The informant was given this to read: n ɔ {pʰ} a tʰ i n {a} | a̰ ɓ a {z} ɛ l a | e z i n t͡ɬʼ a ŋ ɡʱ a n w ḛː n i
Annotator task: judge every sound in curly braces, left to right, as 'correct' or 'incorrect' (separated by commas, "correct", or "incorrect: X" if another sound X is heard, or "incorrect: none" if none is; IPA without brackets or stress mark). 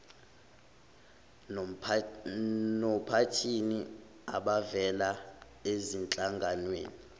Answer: correct, incorrect: i, incorrect: v